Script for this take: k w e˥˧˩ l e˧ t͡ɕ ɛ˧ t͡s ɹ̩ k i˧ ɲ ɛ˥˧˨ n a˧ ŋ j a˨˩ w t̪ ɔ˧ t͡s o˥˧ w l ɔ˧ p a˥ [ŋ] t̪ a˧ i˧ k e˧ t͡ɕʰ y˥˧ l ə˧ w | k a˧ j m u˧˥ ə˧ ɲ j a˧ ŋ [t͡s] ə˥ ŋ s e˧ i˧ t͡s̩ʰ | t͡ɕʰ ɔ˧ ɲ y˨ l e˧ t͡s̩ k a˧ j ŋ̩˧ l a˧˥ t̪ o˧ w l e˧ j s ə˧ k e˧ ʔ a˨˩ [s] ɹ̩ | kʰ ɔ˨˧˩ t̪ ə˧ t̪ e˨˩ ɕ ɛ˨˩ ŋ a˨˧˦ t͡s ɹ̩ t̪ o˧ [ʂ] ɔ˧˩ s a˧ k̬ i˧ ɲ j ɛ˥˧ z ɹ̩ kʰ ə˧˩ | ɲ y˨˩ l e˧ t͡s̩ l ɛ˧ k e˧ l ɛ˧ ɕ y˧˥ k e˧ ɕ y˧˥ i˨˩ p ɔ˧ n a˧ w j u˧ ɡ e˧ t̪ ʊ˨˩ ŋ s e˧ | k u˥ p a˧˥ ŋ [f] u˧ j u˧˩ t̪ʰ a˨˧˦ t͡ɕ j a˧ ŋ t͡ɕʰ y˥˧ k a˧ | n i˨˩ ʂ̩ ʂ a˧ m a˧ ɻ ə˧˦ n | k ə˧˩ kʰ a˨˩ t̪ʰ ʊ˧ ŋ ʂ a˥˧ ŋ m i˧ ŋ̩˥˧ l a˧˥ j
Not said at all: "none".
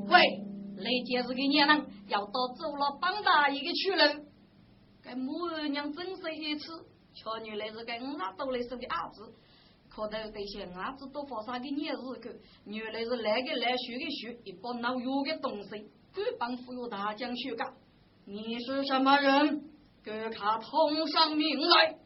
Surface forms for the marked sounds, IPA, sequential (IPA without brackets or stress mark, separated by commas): ŋ, t͡s, t͡s, f, f